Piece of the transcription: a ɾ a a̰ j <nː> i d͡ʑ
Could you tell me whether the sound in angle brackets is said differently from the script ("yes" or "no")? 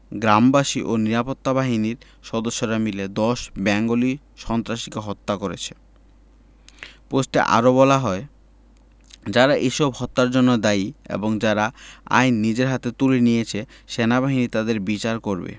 no